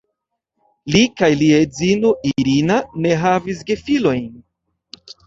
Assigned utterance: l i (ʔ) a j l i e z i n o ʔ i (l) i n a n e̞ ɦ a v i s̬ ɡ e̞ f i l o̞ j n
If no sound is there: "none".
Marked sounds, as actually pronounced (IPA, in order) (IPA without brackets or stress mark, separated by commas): k, ɾ